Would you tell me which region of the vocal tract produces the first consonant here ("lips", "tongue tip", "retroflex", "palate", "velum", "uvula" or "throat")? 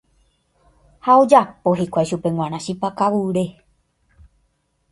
throat